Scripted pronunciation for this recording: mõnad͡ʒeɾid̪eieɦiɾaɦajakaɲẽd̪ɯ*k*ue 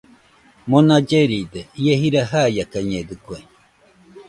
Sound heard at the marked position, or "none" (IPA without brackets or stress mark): k